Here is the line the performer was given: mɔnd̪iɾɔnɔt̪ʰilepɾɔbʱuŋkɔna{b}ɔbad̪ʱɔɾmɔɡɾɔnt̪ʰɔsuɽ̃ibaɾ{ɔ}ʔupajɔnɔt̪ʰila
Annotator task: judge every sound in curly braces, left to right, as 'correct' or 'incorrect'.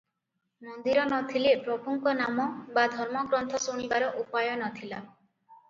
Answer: incorrect: m, correct

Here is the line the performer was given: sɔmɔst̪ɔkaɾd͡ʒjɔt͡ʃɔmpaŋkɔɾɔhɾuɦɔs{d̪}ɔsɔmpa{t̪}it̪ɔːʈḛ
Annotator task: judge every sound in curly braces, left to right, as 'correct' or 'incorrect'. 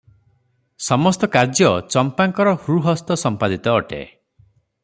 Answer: incorrect: t̪, incorrect: d̪

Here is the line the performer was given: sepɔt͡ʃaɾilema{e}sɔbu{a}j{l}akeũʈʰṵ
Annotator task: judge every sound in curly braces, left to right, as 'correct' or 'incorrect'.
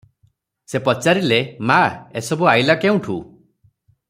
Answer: correct, correct, correct

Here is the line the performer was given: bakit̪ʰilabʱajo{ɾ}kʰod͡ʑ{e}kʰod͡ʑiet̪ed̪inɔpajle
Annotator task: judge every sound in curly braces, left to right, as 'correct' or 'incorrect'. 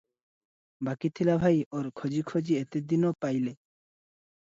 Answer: correct, incorrect: i

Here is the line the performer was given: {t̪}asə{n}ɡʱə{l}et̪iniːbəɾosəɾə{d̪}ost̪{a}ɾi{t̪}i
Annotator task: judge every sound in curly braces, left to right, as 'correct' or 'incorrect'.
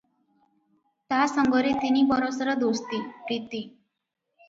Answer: correct, incorrect: ŋ, incorrect: ɾ, correct, incorrect: i, correct

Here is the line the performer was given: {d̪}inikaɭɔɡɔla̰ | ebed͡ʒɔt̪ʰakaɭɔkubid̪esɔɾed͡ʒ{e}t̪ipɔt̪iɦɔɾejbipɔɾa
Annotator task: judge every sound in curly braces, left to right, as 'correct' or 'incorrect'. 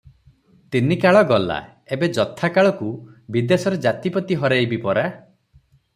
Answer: incorrect: t̪, incorrect: a

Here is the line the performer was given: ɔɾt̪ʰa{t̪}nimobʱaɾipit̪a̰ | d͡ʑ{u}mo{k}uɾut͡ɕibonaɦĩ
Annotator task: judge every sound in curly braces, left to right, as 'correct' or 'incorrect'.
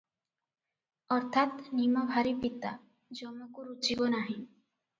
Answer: correct, incorrect: ɔ, correct

